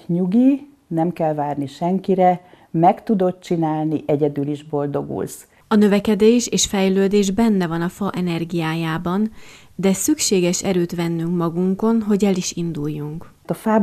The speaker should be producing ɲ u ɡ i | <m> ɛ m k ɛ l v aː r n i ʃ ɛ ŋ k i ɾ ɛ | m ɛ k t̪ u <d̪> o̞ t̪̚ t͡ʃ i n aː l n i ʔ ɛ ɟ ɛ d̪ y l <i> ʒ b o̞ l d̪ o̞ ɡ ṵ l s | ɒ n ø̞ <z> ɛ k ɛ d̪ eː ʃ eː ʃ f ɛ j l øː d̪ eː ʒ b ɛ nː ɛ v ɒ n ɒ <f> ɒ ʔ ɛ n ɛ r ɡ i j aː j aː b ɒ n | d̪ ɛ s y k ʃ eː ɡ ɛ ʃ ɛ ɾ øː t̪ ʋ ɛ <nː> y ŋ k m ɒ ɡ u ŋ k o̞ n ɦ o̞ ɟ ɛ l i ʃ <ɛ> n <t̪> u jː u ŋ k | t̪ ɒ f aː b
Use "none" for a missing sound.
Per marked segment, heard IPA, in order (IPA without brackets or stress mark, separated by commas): n, d̪, i, v, f, nː, i, d̪